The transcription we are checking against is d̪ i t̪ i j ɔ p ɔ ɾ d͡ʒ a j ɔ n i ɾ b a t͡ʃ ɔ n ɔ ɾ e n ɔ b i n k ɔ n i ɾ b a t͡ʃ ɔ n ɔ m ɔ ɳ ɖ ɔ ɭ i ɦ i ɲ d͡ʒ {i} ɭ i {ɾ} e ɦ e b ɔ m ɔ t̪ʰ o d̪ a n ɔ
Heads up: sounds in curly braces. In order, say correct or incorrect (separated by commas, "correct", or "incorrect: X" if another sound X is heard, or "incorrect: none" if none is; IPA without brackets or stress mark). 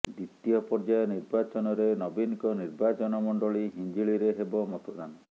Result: correct, correct